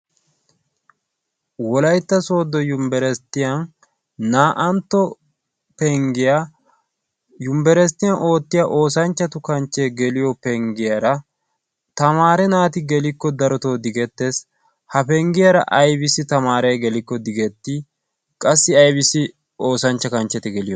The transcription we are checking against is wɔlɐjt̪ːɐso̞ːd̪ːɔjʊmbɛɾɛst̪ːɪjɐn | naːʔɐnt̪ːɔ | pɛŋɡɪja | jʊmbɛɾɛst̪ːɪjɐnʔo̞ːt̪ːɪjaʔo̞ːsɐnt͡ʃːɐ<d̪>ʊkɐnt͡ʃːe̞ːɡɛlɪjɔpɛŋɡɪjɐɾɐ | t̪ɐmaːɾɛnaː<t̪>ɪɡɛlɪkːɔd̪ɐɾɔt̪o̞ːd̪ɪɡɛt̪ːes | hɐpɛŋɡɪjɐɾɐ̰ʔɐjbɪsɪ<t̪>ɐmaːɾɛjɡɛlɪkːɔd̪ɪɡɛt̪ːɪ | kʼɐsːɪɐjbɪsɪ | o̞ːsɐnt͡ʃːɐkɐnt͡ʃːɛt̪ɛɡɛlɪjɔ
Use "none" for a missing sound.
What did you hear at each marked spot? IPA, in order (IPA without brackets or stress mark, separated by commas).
t̪, t̪, t̪